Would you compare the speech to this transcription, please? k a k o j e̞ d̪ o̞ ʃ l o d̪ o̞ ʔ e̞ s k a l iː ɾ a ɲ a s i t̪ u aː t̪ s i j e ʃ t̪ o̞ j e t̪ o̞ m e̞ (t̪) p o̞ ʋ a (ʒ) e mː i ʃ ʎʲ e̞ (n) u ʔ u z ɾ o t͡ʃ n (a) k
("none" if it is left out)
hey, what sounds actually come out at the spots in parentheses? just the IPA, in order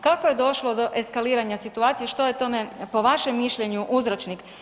none, ʃ, ɲ, i

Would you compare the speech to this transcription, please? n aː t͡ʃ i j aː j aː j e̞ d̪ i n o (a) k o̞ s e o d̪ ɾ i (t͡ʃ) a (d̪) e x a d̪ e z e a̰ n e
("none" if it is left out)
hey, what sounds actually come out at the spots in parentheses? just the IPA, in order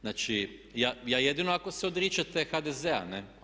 a, t͡ʃ, t̪

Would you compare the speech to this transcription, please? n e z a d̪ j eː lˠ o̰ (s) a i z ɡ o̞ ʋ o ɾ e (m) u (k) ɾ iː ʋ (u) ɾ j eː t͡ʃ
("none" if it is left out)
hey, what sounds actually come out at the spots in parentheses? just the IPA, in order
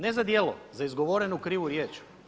z, n, k, u

